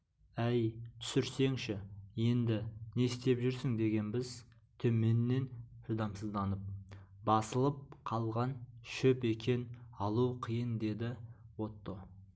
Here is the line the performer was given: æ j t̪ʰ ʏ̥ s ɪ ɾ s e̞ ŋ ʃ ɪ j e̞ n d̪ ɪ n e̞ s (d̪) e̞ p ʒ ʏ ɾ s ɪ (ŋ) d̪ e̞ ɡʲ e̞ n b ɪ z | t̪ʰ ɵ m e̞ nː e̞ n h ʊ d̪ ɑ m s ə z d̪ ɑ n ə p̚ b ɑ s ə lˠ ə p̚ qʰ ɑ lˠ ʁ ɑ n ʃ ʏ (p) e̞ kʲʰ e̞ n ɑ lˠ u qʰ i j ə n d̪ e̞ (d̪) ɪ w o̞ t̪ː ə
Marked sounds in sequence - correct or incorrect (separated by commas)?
incorrect, correct, correct, correct